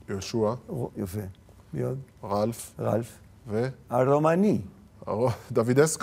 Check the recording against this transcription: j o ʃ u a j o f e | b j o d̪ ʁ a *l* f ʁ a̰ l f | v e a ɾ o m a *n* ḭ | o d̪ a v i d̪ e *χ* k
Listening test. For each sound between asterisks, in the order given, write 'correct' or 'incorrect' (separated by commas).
correct, correct, incorrect